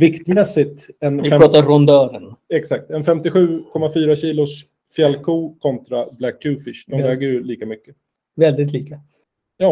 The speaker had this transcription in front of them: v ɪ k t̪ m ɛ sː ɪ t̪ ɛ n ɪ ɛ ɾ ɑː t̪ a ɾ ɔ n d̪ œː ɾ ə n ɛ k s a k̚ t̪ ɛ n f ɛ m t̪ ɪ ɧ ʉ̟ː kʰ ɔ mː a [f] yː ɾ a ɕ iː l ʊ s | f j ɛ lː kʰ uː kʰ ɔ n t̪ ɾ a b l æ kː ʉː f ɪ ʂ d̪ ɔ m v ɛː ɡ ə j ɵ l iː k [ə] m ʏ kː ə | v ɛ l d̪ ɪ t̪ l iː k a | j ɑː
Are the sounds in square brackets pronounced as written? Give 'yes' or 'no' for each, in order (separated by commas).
yes, no